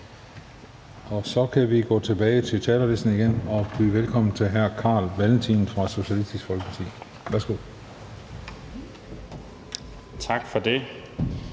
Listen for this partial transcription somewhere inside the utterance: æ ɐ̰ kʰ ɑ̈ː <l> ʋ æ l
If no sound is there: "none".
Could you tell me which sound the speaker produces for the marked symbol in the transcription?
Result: l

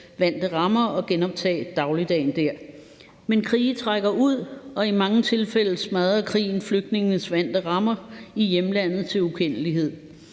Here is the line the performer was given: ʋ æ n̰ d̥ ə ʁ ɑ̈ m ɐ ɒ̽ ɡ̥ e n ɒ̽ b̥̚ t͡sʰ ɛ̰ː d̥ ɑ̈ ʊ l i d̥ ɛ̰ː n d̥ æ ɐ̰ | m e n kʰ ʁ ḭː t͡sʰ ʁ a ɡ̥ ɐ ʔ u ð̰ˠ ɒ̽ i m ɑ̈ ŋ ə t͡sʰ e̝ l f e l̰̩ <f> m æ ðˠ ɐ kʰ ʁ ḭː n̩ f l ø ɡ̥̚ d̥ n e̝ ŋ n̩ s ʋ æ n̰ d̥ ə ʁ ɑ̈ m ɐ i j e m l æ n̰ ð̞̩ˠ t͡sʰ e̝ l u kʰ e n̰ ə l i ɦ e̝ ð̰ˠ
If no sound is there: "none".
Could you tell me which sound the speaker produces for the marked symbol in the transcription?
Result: s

